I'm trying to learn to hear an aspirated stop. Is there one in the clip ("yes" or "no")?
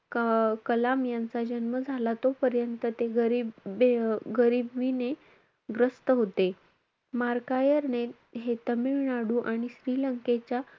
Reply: no